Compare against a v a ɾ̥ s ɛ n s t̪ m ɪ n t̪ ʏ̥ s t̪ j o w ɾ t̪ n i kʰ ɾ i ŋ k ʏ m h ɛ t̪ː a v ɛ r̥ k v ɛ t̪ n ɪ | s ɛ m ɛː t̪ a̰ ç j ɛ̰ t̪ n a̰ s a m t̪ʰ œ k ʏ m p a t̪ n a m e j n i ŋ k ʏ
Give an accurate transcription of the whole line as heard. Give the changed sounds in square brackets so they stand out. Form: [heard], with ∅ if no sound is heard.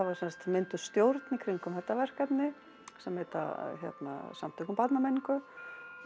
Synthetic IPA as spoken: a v a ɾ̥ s ɛ n s t̪ m ɪ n t̪ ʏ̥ s t̪ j o w ɾ t̪ n i kʰ ɾ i ŋ k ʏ m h ɛ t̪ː a v ɛ r̥ k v ɛ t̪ n ɪ | s ɛ m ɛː t̪ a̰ ç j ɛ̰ t̪ n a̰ s a m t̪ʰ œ k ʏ m p a t̪ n a m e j n i ŋ k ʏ

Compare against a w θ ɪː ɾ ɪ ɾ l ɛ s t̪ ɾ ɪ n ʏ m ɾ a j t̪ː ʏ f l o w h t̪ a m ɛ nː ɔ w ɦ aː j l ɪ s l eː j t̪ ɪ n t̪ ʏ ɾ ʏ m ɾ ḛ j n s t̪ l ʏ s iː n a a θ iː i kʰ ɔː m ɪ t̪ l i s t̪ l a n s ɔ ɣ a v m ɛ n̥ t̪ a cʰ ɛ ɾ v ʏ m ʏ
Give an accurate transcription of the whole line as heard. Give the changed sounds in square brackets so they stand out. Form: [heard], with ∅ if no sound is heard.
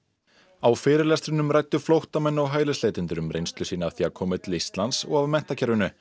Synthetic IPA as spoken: a w [f] ɪː ɾ ɪ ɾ l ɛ s t̪ ɾ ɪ n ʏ m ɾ a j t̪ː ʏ f l o w h t̪ a m ɛ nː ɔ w ɦ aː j l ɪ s l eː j t̪ ɪ n t̪ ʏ ɾ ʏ m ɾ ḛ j n s t̪ l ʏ s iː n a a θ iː [a] kʰ ɔː m ɪ t̪ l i s t̪ l a n s ɔ ɣ a v m ɛ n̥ t̪ a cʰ ɛ ɾ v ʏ [n] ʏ

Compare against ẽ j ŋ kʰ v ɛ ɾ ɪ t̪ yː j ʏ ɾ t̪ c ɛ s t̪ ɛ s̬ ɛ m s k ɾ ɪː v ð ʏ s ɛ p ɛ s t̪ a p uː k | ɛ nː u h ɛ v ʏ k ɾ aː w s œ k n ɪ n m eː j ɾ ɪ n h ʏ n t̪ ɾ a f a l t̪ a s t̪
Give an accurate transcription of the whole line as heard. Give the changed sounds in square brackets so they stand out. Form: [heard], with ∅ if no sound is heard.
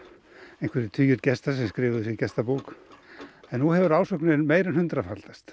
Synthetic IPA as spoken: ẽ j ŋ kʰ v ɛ ɾ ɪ [t̪ʰ] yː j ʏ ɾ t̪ c ɛ s t̪ [a] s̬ ɛ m s k ɾ ɪː v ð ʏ s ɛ [c] ɛ s t̪ a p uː k | ɛ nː u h ɛ v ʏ [∅] ɾ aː w s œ k n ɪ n m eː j ɾ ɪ n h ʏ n t̪ ɾ a f a l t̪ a s t̪

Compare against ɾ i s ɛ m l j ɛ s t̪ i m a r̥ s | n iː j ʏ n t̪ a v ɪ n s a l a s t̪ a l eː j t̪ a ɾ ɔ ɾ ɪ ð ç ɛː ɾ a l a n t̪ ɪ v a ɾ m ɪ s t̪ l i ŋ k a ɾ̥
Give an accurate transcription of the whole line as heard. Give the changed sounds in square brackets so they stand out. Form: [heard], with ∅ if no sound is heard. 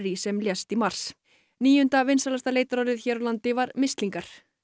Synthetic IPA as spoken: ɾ i s ɛ m l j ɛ s t̪ i m a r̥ s | n iː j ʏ n t̪ a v ɪ n s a l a s t̪ a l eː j t̪ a ɾ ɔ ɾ ɪ ð ç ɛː ɾ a l a n t̪ ɪ v a ɾ m ɪ s t̪ l i ŋ k a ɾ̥

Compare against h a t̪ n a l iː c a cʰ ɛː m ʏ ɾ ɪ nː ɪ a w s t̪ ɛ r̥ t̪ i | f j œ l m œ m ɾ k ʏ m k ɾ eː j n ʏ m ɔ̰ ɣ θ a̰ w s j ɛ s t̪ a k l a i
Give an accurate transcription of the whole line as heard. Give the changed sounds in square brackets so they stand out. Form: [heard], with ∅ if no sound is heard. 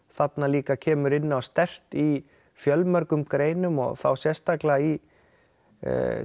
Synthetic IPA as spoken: [θ] a t̪ n a l iː [k] a cʰ ɛː m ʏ ɾ ɪ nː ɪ a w s t̪ ɛ r̥ t̪ i | f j œ l m œ [∅] ɾ k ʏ m k ɾ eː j n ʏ m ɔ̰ ɣ θ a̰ w s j ɛ s t̪ a k l a i

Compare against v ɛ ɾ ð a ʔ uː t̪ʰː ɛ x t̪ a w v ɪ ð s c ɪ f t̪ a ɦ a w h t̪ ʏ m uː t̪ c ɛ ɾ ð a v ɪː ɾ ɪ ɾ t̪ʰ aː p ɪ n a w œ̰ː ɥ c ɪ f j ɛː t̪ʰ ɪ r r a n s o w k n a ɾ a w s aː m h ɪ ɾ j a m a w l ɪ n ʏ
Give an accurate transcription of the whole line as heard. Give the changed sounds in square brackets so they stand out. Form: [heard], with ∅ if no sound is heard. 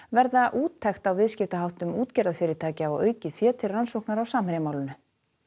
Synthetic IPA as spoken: v ɛ ɾ ð a ʔ uː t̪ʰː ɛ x t̪ a w v ɪ ð s c ɪ f t̪ a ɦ a w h t̪ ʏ m uː t̪ c ɛ ɾ ð a [f] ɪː ɾ ɪ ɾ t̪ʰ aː [c] ɪ [∅] a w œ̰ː ɥ c ɪ f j ɛː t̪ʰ ɪ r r a n s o w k n a ɾ a w s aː m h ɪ ɾ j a m a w l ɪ n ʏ

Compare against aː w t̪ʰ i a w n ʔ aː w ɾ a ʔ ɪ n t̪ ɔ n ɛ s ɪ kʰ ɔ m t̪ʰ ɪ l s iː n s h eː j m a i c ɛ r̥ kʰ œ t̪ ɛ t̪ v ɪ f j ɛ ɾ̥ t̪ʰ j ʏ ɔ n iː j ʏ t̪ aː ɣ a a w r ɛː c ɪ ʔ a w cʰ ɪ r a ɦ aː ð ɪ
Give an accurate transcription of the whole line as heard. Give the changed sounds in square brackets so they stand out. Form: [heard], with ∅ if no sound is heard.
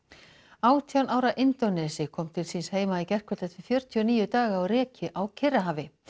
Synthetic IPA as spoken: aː w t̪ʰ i a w n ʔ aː w ɾ a ʔ ɪ n t̪ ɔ n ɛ s ɪ kʰ ɔ m t̪ʰ ɪ l s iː n s h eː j m a i c ɛ r̥ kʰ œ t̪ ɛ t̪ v ɪ f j [œ] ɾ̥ t̪ʰ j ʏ ɔ n iː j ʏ t̪ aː ɣ a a w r ɛː c ɪ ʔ a w cʰ ɪ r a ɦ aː [v] ɪ

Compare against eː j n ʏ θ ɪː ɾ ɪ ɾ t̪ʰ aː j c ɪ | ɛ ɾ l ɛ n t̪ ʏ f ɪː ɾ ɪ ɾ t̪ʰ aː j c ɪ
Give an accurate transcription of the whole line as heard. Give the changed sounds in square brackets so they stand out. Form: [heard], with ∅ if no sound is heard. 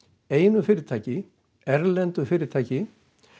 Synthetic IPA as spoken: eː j n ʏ [f] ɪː ɾ ɪ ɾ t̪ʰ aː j c ɪ | ɛ ɾ l ɛ n t̪ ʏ f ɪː ɾ ɪ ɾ t̪ʰ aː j c ɪ

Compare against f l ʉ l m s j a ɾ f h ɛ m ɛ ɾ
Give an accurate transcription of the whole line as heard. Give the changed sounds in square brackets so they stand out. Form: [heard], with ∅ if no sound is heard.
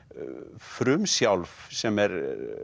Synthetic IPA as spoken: f [ɾ] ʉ [∅] m s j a [l] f [s] ɛ m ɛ ɾ

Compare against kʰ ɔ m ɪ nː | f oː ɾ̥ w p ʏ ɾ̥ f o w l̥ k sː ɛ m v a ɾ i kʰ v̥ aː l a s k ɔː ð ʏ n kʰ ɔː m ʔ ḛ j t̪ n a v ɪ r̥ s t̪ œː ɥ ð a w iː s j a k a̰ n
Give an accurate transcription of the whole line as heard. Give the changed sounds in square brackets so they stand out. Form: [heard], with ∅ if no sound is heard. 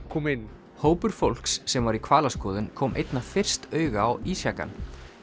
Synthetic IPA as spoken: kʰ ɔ m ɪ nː | [h] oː [∅] w p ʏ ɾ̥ f o w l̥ k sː ɛ m v a ɾ i kʰ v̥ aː l a s k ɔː ð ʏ n kʰ ɔː m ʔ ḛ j t̪ n a [f] ɪ r̥ s t̪ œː ɥ [ɣ] a w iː s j a k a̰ n

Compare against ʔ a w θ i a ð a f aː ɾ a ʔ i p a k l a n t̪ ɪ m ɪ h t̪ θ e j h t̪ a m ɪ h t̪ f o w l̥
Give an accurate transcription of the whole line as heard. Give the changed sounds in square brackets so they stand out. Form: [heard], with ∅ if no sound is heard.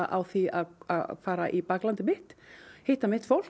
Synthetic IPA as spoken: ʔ a w θ i a ð a f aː ɾ a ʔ i p a k l a n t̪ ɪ m ɪ h t̪ [h] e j h t̪ a m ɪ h t̪ f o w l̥

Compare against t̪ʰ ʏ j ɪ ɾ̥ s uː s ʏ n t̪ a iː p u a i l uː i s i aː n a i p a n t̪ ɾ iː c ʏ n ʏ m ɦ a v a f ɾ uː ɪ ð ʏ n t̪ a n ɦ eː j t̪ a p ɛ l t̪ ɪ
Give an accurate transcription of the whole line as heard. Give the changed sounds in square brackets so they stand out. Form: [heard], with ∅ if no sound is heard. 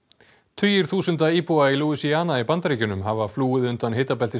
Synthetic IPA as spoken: t̪ʰ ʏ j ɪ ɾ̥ [θ] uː s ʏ n t̪ a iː p u a i l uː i s i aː n a i p a n t̪ ɾ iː c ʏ n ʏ m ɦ a v a f [l] uː ɪ ð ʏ n t̪ a n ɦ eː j t̪ a p ɛ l t̪ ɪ

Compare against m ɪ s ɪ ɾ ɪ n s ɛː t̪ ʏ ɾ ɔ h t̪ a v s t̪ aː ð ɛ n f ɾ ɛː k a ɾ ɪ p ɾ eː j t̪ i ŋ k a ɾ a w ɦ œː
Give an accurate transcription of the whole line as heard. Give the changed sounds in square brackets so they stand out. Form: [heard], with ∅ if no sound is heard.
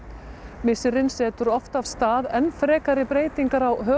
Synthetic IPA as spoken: m ɪ s ɪ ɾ ɪ n s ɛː t̪ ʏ ɾ ɔ [f] t̪ a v s t̪ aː ð ɛ n f ɾ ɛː k a ɾ ɪ p ɾ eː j t̪ i ŋ k a ɾ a w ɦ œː

